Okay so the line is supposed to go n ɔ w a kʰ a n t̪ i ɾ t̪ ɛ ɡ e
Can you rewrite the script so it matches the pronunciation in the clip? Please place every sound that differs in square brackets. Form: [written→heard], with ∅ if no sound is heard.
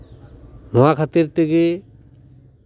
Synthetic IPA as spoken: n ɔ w a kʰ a [n→∅] t̪ i ɾ t̪ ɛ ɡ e